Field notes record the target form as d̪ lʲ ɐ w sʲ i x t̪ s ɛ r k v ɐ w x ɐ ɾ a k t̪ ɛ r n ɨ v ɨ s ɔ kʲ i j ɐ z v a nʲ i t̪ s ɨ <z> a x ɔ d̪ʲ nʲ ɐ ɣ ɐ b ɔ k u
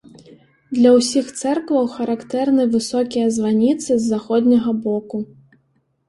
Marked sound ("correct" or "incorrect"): incorrect